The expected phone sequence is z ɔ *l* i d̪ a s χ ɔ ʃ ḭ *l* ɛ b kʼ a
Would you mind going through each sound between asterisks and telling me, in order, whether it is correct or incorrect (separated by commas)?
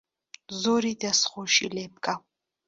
incorrect, correct